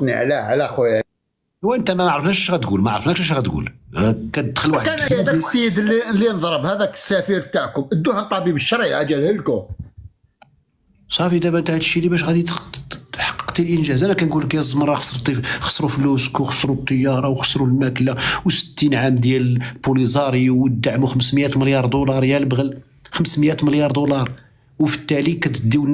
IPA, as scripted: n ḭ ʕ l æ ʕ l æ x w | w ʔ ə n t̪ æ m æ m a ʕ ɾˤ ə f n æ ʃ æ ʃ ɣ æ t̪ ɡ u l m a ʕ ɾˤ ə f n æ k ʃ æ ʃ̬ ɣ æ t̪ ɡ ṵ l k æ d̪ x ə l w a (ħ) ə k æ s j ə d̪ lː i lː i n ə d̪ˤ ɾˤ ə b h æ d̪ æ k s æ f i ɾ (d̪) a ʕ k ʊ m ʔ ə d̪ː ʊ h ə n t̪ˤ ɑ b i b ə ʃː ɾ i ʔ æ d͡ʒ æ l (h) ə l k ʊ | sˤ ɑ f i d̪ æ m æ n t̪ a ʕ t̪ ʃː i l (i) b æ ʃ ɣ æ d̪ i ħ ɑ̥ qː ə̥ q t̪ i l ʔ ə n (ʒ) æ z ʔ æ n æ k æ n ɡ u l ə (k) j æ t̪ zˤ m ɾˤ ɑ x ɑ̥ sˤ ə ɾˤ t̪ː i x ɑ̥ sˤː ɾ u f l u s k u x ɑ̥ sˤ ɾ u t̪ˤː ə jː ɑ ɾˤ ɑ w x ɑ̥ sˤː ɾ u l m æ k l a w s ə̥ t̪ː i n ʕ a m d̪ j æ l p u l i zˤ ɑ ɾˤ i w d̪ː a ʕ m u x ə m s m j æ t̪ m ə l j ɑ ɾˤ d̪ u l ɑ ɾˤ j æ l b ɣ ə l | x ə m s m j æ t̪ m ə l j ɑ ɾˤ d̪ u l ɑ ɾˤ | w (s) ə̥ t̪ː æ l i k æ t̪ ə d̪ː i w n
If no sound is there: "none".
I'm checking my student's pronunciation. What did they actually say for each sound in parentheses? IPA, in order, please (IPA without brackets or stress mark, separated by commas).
ħ, t̪, h, i, ʒ, k, f